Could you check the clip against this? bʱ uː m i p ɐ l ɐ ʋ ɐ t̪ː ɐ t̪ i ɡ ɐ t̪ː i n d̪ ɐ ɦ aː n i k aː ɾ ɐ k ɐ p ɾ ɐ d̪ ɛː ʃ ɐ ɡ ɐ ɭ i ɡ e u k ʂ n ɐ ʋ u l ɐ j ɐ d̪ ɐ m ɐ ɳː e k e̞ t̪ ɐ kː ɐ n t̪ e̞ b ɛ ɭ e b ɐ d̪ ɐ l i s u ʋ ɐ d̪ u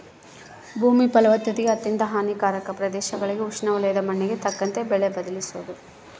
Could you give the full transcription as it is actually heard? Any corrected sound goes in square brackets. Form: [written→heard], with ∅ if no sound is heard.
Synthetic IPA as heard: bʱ uː m i p ɐ l ɐ ʋ ɐ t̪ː ɐ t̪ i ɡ ɐ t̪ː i n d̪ ɐ ɦ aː n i k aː ɾ ɐ k ɐ p ɾ ɐ d̪ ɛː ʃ ɐ ɡ ɐ ɭ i ɡ e u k ʂ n ɐ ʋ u l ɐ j ɐ d̪ ɐ m ɐ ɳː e [k→ɡ] e̞ t̪ ɐ kː ɐ n t̪ e̞ b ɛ ɭ e b ɐ d̪ ɐ l i s u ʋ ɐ d̪ u